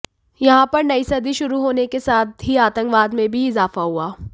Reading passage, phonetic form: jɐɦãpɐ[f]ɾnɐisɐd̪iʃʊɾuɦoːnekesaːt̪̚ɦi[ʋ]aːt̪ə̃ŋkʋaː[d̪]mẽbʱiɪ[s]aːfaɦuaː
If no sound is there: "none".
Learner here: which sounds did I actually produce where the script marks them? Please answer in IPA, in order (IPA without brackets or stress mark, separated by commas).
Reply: none, none, d̪, z